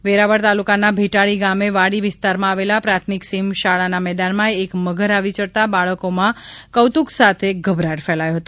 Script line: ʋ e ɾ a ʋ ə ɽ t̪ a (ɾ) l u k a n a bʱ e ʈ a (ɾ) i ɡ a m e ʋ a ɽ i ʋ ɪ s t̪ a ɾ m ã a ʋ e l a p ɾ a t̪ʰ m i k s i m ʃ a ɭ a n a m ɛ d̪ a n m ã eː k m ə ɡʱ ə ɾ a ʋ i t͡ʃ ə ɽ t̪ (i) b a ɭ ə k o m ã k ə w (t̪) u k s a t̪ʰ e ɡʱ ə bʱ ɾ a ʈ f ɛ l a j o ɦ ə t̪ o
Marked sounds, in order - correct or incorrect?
incorrect: none, incorrect: ɭ, incorrect: a, correct

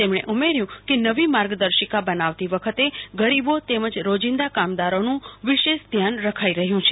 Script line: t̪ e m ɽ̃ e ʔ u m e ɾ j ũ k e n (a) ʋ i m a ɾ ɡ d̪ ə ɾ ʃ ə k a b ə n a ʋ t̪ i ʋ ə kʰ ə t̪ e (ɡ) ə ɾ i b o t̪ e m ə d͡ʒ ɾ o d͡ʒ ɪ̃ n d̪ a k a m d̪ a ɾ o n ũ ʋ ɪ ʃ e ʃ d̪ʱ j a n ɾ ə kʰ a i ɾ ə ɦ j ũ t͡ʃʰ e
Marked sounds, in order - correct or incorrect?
incorrect: ə, correct

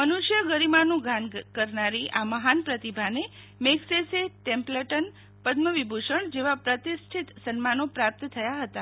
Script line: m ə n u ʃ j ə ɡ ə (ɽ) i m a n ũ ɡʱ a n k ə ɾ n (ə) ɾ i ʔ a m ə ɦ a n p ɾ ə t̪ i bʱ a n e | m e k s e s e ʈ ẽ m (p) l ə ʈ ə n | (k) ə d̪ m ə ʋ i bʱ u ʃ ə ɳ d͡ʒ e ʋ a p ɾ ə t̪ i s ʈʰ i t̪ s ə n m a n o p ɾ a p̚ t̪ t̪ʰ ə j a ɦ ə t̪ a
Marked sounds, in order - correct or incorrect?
incorrect: ɾ, incorrect: a, correct, incorrect: p

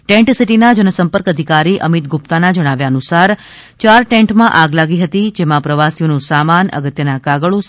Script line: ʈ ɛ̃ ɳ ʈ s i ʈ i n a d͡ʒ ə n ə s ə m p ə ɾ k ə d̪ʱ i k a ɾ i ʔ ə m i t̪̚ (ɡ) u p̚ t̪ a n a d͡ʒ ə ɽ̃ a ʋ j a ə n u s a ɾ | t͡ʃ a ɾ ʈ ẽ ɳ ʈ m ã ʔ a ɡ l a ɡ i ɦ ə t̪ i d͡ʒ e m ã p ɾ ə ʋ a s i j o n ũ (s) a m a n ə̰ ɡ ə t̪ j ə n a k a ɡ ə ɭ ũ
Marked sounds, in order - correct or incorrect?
correct, correct

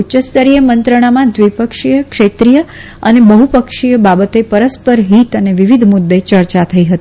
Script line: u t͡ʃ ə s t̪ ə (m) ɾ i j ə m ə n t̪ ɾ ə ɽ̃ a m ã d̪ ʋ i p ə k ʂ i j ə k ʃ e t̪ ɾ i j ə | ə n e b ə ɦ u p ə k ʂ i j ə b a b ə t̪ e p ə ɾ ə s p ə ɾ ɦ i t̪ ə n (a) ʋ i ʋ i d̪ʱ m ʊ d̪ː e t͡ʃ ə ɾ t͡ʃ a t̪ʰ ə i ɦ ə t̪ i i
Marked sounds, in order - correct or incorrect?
incorrect: none, incorrect: e

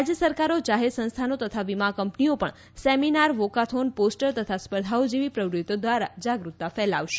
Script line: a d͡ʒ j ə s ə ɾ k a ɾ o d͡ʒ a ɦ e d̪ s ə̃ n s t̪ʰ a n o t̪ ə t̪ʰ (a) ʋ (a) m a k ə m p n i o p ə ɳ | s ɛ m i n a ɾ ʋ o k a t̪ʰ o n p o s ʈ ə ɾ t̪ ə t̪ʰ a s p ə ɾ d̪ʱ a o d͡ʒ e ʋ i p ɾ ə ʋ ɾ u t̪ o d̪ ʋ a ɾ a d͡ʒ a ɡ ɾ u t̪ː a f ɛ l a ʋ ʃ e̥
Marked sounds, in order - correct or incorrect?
correct, incorrect: i

